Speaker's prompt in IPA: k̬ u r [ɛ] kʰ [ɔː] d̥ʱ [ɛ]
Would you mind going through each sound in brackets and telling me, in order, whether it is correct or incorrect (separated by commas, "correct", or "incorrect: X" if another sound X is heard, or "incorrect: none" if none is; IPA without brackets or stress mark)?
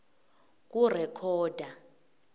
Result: correct, correct, incorrect: a